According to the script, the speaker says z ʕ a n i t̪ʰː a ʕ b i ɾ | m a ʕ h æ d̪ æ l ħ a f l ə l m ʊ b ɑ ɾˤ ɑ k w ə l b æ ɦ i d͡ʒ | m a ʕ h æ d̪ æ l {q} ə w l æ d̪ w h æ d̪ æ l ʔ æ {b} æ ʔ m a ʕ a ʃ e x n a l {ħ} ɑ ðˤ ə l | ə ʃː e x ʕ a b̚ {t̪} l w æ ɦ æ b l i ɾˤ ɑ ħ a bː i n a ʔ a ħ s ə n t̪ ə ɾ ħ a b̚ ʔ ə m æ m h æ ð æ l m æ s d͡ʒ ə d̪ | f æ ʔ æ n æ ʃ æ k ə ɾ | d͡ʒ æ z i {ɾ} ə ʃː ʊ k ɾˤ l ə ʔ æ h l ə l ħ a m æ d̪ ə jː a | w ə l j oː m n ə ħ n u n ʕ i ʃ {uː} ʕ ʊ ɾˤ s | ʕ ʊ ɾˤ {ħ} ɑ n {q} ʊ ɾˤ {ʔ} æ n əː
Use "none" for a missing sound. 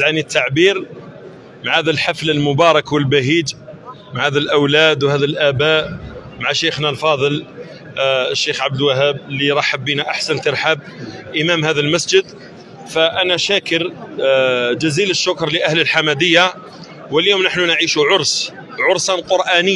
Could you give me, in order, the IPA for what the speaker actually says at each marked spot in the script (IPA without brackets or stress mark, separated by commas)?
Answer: ʔ, b, f, d̪, l, u, s, q, ʔ